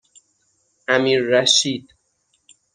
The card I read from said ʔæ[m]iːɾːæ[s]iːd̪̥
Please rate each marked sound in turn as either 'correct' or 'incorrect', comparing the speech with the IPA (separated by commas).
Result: correct, incorrect